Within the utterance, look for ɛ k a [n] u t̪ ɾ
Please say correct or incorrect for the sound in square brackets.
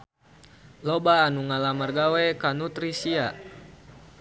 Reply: correct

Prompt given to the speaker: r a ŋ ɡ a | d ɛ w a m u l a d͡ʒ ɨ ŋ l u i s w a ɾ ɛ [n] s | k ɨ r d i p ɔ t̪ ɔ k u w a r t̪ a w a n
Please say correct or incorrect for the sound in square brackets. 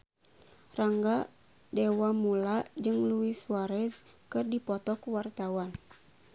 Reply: incorrect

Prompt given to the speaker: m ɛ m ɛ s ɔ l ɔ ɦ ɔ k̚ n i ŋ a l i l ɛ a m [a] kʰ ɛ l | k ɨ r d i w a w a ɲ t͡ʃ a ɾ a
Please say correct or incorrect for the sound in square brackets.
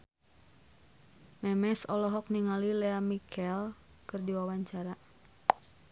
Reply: incorrect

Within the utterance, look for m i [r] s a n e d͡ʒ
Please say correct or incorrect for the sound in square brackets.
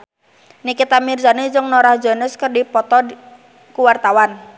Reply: correct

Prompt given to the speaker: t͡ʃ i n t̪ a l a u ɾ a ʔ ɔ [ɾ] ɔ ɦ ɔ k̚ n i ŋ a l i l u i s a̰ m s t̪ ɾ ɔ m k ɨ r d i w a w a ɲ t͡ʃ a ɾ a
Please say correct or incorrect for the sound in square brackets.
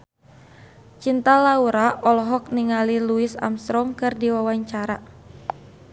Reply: incorrect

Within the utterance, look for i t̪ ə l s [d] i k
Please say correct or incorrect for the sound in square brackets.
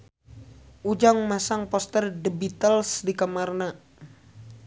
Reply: correct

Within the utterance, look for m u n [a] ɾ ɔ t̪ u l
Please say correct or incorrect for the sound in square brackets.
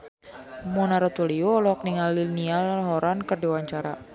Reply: correct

